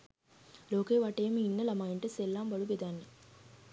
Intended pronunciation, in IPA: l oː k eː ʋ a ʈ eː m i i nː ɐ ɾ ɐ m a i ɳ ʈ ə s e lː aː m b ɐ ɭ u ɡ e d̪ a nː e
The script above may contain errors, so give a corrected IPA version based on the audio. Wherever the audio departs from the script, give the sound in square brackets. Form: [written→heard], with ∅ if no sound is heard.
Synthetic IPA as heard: l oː k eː ʋ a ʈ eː m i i nː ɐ [ɾ→l] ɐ m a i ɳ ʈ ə s e lː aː m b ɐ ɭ u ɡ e d̪ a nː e